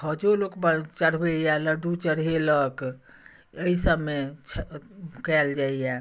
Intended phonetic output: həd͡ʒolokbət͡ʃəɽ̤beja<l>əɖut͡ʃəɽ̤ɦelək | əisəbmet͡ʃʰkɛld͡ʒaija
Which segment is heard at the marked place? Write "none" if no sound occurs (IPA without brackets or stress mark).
l